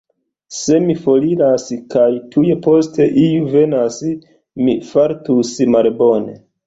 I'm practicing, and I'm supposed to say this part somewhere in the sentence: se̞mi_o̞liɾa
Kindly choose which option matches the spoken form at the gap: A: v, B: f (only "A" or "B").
B